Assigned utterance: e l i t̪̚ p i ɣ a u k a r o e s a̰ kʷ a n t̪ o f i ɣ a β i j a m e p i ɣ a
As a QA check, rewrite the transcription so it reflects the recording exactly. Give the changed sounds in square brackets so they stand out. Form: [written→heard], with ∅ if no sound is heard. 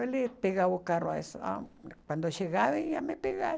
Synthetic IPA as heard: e l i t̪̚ p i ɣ a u k a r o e s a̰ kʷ a n [t̪→d̪] o [f→ʃ] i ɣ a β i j a m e p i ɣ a